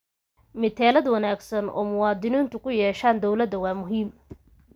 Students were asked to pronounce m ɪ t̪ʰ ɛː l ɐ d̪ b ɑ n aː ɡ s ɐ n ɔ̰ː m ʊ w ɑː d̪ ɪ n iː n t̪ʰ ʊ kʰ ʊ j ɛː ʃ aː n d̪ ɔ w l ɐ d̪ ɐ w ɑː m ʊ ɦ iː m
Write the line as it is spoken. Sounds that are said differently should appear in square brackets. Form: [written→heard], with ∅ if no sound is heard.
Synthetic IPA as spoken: m ɪ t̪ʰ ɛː l ɐ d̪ [b→w] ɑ n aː ɡ s ɐ n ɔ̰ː m ʊ w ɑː d̪ ɪ n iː n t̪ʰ ʊ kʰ ʊ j ɛː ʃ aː n d̪ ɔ w l ɐ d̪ ɐ w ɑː m ʊ ɦ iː m